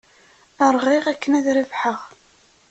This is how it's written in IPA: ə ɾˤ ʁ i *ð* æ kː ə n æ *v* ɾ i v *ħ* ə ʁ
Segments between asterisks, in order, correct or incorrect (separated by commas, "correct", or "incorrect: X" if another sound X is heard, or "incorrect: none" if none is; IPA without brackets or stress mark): incorrect: ʁ, incorrect: ð, correct